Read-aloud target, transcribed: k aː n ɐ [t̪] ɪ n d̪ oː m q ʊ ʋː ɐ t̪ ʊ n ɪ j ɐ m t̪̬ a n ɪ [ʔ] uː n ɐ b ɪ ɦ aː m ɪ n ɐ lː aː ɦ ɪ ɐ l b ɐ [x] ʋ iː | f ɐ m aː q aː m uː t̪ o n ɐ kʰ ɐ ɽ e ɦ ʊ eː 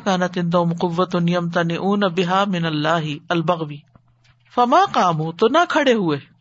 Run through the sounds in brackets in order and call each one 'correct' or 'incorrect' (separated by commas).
correct, correct, incorrect